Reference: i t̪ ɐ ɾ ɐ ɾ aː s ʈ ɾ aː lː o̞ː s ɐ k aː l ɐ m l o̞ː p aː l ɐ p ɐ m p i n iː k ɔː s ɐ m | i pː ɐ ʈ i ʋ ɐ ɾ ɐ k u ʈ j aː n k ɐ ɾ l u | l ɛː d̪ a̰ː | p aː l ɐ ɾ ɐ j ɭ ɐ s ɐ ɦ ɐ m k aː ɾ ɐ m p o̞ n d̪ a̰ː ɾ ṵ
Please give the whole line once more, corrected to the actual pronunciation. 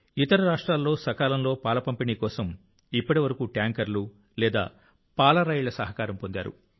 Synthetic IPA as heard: i t̪ ɐ ɾ ɐ ɾ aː ʂ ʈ ɾ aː lː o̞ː s ɐ k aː l ɐ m l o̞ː p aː l ɐ p ɐ m p i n iː k ɔː s ɐ m | i pː ɐ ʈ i ʋ ɐ ɾ ɐ k u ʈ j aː ŋ k ɐ ɾ l u | l ɛː d̪ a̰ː | p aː l ɐ ɾ ɐ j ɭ ɐ s ɐ ɦ ɐ k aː ɾ ɐ m p o̞ n d̪ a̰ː ɾ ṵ